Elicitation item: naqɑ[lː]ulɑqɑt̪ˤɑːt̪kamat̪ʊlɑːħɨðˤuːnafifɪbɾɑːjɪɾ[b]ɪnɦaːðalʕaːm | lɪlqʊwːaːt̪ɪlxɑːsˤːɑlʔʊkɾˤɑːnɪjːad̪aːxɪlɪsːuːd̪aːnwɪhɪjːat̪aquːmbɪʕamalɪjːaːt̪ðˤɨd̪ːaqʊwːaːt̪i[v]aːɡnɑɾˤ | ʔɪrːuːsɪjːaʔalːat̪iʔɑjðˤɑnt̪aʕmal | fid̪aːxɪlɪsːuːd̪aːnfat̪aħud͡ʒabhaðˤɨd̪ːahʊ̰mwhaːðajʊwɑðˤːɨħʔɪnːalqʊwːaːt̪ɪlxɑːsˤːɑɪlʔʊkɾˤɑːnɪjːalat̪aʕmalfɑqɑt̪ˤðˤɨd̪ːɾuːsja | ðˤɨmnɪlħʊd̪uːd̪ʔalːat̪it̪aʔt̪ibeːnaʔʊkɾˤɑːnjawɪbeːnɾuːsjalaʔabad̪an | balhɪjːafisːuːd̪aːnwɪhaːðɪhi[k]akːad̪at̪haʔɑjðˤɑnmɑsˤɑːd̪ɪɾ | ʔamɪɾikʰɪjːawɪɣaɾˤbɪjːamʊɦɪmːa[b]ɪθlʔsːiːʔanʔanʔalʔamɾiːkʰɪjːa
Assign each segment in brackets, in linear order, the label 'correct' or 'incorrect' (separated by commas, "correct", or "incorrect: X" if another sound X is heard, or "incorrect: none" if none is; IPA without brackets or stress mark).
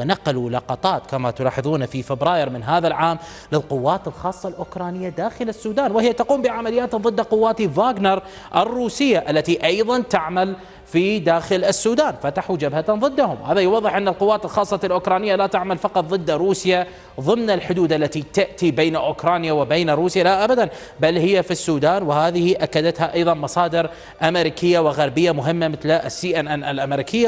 incorrect: l, incorrect: m, correct, incorrect: ʔ, incorrect: m